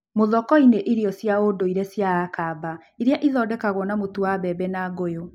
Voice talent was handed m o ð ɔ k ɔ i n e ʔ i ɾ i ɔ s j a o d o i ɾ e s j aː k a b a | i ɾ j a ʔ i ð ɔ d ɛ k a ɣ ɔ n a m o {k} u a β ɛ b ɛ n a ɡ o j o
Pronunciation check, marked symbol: incorrect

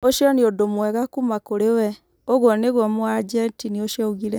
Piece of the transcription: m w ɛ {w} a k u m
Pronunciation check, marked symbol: incorrect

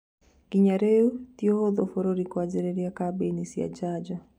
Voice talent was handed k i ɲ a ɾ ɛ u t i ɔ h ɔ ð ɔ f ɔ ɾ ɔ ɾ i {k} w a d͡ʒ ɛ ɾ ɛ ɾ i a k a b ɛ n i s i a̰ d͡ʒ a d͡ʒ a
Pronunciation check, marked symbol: correct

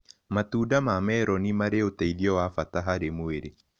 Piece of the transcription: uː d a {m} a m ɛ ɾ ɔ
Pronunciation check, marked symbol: correct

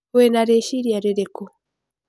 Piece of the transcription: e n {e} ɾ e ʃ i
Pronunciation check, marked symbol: incorrect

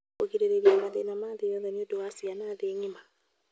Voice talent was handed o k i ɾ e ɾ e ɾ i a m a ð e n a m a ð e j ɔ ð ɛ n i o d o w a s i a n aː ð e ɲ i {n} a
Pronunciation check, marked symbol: incorrect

